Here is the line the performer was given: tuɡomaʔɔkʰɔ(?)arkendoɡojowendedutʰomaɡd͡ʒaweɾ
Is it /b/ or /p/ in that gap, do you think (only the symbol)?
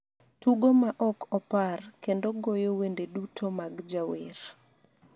p